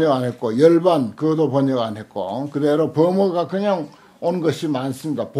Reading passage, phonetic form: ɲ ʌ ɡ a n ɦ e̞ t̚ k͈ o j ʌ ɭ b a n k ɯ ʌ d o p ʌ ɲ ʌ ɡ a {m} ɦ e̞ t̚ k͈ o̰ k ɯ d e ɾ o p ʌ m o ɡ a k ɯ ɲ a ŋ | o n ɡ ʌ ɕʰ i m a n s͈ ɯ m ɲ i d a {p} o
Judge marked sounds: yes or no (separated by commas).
no, yes